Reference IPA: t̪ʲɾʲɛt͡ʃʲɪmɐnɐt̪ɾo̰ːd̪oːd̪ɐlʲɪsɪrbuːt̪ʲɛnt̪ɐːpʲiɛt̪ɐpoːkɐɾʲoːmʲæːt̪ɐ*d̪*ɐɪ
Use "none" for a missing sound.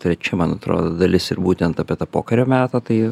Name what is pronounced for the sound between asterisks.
t̪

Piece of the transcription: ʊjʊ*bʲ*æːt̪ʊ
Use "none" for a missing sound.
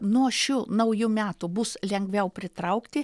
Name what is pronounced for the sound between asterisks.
mʲ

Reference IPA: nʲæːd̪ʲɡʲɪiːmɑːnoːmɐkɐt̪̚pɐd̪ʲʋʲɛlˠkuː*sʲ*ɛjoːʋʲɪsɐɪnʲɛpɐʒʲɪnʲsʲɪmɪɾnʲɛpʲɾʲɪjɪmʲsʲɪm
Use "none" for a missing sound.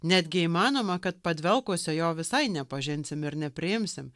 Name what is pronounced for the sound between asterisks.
sʲ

